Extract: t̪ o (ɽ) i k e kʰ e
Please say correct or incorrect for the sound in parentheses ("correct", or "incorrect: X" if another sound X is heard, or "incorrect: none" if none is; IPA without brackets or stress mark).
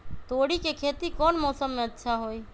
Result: correct